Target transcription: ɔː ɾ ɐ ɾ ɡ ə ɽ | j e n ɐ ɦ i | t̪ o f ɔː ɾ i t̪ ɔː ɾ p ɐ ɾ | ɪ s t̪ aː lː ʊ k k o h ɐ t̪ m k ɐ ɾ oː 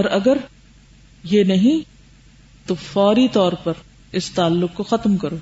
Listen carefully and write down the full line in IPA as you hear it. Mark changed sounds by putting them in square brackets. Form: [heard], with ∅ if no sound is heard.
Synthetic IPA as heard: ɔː ɾ ɐ [∅] ɡ ə [ɾ] | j e n ɐ ɦ [ĩ] | t̪ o f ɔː ɾ i t̪ ɔː ɾ p ɐ ɾ | ɪ s t̪ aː lː ʊ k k o [x] ɐ t̪ m k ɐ ɾ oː